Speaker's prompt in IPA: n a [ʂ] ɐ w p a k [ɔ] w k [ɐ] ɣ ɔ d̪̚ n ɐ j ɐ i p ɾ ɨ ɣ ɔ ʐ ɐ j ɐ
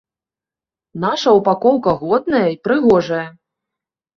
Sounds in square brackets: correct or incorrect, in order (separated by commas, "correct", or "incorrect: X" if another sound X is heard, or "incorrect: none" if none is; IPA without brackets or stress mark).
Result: correct, correct, correct